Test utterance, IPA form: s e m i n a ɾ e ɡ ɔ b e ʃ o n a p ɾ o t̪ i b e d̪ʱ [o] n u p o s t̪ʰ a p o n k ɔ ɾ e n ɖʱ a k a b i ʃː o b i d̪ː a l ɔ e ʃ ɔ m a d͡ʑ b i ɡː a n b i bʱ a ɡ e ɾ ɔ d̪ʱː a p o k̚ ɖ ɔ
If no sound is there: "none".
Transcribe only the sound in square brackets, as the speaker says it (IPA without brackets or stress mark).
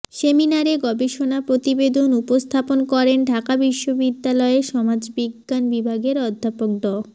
o